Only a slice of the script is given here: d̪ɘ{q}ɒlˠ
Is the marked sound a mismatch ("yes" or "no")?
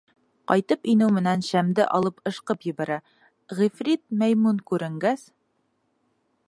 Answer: yes